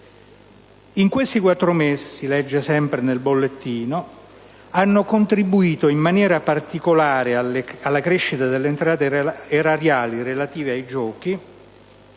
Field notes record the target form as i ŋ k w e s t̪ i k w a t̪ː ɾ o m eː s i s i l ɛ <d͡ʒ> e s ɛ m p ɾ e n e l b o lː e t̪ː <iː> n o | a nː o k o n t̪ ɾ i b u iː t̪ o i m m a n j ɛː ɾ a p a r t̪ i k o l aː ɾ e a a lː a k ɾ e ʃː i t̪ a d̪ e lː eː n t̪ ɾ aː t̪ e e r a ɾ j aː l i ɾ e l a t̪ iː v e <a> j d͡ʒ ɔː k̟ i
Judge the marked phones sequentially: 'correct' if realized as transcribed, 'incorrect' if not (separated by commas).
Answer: incorrect, correct, correct